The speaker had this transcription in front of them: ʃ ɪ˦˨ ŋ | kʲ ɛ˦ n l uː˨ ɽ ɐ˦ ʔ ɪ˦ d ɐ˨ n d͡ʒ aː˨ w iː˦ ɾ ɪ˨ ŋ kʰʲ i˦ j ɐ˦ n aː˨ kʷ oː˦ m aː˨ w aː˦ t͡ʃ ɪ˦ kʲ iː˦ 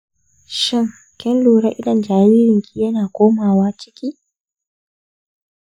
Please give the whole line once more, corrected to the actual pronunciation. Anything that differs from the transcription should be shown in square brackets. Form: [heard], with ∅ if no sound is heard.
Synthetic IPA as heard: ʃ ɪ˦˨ ŋ | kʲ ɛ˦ n l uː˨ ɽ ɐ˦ ʔ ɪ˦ d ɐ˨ n d͡ʒ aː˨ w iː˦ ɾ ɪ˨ ŋ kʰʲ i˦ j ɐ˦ n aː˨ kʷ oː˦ m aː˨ w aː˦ t͡ʃ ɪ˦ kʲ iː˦